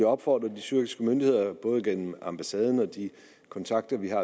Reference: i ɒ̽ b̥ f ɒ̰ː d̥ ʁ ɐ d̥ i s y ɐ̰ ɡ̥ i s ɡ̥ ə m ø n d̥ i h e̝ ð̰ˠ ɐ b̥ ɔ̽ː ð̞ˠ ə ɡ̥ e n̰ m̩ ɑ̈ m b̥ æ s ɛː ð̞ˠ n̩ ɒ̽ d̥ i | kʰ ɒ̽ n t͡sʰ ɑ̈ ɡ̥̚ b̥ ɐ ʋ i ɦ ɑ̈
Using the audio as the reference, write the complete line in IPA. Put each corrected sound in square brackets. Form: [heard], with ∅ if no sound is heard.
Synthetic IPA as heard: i ɒ̽ b̥ f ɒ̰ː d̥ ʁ ɐ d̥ i s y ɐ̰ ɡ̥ i s ɡ̥ ə m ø n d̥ i h e̝ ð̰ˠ ɐ b̥ ɔ̽ː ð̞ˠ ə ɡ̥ e n̰ m̩ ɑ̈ m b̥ æ s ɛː ð̞ˠ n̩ ɒ̽ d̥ i | kʰ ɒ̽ n t͡sʰ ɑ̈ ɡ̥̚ [d̥] ɐ ʋ i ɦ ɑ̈